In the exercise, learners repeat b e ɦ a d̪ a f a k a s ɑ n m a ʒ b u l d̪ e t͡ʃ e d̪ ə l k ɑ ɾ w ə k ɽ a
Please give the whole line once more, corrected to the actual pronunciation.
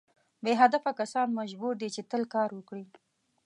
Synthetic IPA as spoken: b e ɦ a d̪ a f a k a s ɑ n m a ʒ b u ɾ d̪ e t͡ʃ e t̪ ə l k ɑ ɾ w ə k ɽ i